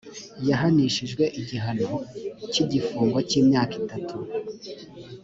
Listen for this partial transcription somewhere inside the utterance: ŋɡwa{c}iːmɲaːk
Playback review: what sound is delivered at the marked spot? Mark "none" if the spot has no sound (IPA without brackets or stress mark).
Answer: c